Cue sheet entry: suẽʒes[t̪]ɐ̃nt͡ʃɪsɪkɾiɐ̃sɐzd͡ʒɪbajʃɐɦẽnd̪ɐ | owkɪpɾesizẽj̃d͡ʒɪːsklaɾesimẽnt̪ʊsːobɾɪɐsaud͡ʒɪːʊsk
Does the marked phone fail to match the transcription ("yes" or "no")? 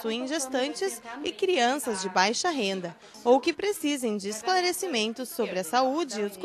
no